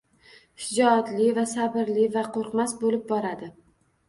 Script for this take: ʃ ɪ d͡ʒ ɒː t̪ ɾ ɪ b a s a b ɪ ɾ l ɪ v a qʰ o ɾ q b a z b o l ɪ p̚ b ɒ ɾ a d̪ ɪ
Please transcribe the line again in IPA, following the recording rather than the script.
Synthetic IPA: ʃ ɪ d͡ʒ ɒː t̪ l ɪ v a s a b ɪ ɾ l ɪ v a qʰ o ɾ q m a s b o l ɪ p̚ b ɒ ɾ a d̪ ɪ